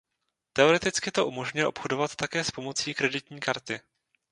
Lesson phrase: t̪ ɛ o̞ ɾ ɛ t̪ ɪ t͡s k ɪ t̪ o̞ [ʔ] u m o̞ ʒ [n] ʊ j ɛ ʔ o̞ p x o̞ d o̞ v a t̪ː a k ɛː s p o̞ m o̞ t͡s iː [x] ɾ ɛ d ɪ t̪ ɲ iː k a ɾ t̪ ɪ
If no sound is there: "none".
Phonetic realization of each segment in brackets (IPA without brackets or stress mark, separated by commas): ʔ, ɲ, k